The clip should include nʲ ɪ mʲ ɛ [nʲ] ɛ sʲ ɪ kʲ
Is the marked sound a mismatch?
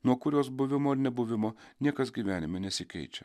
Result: no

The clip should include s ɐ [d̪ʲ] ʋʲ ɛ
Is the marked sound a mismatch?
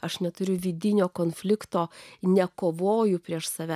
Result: yes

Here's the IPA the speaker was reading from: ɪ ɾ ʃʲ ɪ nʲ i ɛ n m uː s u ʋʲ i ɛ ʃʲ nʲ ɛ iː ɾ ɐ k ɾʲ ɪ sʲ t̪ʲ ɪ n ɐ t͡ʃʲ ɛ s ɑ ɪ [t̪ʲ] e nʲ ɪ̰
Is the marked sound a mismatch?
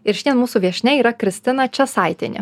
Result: no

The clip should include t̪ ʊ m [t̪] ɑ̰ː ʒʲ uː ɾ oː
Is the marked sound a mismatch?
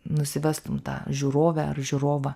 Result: no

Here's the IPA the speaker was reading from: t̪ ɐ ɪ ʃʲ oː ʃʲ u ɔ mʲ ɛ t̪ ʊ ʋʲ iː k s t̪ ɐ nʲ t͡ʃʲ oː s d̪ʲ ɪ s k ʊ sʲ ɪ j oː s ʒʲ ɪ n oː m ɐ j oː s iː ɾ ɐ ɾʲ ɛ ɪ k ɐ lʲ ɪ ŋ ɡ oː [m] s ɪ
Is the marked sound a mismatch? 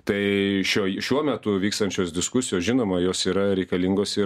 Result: yes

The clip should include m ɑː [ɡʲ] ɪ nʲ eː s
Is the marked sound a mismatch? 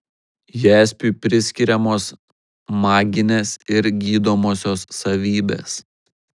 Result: no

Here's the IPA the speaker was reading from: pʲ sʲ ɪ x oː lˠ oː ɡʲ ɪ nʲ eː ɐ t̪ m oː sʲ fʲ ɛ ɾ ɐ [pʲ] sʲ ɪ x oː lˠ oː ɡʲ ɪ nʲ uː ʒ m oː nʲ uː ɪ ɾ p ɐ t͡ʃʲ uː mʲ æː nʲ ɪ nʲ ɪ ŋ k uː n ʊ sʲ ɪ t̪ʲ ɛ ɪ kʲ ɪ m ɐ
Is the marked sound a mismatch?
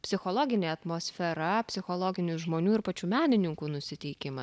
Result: no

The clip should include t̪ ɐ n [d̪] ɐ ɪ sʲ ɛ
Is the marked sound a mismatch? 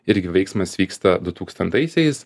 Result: yes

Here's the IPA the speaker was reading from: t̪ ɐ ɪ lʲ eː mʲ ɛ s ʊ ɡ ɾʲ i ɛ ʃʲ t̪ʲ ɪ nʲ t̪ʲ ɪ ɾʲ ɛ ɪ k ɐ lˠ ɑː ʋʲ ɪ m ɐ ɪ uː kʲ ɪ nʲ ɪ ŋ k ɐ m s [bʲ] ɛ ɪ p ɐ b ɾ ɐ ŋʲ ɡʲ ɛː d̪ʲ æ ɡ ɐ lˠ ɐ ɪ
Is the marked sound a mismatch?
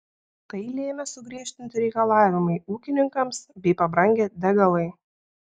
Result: no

